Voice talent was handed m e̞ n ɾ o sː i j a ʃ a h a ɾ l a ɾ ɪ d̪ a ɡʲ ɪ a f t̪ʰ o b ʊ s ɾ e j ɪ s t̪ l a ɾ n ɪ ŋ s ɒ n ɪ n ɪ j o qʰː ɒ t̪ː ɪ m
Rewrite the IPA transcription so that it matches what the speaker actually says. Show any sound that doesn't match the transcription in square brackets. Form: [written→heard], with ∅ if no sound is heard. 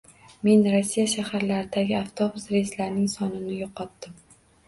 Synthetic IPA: m e̞ n ɾ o sː i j a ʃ a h a ɾ l a ɾ ɪ d̪ a ɡʲ ɪ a f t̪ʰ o b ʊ s ɾ e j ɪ s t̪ l a ɾ n ɪ ŋ s ɒ n ɪ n ɪ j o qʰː ɒ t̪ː ɪ m